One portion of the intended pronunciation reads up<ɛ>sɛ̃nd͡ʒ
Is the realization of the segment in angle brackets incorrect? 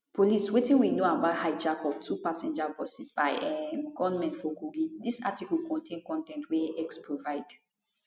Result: yes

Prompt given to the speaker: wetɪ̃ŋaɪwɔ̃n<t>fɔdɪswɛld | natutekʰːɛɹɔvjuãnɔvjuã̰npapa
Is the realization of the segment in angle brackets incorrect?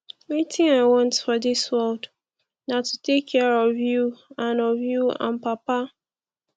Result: no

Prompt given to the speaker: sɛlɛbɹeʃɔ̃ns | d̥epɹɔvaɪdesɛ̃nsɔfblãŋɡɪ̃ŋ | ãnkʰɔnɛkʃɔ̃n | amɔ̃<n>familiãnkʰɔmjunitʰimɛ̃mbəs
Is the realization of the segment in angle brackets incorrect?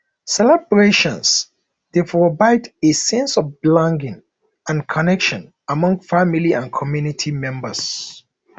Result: yes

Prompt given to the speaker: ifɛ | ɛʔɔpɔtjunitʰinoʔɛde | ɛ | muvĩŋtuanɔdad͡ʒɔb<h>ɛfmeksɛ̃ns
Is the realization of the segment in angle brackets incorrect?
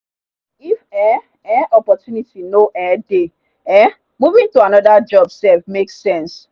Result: yes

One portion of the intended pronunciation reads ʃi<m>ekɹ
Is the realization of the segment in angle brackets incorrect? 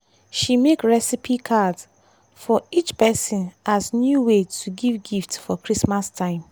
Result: no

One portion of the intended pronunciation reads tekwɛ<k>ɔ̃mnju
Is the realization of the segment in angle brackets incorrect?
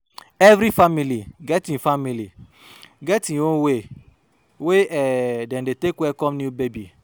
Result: no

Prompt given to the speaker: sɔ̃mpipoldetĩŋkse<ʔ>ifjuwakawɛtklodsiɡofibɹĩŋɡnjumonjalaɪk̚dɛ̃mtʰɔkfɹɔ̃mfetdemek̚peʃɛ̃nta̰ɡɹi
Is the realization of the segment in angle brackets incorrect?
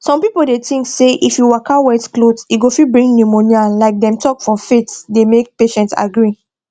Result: no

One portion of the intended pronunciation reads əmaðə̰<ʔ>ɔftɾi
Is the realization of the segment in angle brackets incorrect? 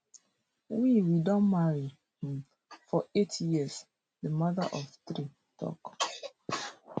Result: no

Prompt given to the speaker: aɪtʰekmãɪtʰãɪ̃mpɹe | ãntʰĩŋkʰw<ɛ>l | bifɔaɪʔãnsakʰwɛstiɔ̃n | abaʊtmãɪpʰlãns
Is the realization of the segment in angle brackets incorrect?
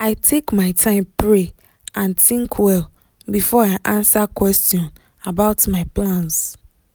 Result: no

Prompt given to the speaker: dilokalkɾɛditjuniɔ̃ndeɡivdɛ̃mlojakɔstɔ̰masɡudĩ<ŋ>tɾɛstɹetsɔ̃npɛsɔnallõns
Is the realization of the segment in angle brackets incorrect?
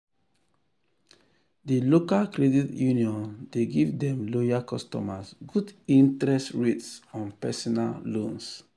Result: yes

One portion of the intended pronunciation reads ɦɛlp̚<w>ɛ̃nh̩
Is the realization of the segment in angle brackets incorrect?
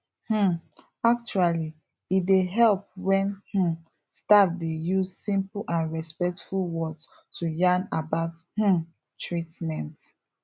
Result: no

